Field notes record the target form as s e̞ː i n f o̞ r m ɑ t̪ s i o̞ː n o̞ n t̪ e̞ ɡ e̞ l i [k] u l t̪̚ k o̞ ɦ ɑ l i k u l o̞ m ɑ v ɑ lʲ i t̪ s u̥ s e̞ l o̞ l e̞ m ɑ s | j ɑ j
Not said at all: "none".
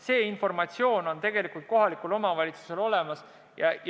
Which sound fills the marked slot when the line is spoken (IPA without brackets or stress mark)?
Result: k